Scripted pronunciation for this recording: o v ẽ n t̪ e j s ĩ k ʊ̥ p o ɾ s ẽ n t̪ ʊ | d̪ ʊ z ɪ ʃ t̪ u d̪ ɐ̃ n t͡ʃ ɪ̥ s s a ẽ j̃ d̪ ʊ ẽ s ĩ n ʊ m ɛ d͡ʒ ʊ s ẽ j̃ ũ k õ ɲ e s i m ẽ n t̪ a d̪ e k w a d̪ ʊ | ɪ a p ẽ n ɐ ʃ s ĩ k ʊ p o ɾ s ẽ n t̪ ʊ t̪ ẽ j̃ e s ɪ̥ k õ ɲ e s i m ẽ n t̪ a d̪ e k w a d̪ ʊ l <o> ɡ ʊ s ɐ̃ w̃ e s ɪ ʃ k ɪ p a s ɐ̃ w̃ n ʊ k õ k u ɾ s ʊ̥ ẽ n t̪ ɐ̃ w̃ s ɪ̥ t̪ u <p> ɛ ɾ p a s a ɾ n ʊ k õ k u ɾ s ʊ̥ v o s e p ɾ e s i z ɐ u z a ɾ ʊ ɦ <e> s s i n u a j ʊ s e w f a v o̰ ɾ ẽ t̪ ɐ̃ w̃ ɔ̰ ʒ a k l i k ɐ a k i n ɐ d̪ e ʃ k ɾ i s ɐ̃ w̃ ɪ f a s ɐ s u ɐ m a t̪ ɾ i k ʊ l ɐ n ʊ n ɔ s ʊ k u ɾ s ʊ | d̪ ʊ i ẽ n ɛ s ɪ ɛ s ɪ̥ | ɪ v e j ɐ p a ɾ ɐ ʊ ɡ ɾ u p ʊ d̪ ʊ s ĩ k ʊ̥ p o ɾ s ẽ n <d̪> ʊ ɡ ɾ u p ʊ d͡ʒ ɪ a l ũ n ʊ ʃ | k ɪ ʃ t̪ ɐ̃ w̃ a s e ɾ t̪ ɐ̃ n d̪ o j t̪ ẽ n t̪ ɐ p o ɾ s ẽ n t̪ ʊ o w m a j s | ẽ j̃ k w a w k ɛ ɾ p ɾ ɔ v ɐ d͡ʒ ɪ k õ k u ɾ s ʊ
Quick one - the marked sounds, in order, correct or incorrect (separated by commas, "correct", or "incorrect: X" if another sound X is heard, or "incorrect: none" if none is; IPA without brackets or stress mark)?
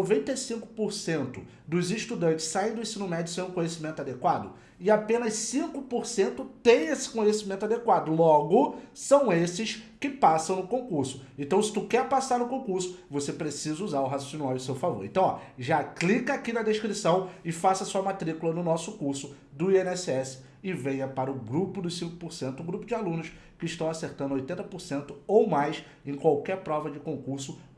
incorrect: ɔ, incorrect: k, incorrect: a, incorrect: t̪